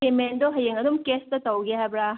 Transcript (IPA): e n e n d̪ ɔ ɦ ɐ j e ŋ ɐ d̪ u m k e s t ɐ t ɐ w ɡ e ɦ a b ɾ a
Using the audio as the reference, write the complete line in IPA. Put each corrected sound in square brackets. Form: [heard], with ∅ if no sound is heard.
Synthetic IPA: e [m] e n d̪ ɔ ɦ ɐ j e ŋ ɐ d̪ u m k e s t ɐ t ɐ w ɡ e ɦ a b ɾ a